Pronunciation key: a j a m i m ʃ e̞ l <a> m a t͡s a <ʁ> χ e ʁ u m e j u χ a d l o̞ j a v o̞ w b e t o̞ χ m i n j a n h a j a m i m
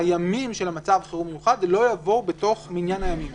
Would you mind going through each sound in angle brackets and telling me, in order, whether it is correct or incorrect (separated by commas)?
correct, incorrect